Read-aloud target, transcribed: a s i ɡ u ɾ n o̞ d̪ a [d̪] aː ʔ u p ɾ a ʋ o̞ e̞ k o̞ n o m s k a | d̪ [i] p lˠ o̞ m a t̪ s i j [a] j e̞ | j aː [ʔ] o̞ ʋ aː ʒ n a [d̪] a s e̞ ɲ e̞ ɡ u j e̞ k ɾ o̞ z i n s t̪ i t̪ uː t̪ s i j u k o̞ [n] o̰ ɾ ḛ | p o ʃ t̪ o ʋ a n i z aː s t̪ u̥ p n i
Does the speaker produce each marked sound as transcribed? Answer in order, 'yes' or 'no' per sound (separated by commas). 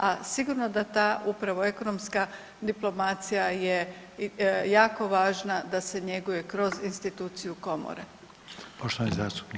no, yes, yes, no, yes, no